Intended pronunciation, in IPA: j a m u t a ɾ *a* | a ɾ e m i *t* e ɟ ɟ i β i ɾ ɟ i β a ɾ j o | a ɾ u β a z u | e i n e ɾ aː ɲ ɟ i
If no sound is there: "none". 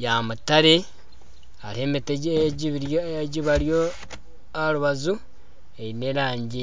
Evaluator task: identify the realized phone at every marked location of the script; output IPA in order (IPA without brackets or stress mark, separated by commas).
e, t